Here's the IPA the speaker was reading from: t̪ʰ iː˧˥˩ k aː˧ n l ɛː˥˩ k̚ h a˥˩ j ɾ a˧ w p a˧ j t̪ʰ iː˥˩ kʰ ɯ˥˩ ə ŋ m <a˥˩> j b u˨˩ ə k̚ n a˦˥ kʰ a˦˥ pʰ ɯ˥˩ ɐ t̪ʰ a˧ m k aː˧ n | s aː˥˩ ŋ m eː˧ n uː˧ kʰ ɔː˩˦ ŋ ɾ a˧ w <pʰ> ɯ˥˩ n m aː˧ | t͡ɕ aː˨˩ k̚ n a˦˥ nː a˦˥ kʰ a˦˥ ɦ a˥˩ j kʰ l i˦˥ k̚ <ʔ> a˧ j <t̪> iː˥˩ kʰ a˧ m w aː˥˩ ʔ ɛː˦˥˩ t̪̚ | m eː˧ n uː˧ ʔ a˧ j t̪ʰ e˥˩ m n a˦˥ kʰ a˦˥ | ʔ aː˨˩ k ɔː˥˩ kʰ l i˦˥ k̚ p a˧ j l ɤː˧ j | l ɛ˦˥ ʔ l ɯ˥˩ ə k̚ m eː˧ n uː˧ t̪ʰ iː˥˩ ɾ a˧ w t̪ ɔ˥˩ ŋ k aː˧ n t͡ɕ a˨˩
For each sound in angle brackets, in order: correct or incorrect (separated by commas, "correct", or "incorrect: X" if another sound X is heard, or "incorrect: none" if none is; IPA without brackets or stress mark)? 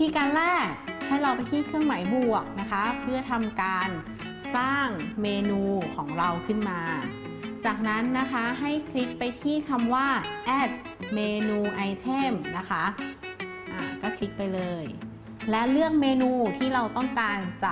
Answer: incorrect: a˩˦, incorrect: kʰ, incorrect: p, incorrect: t̪ʰ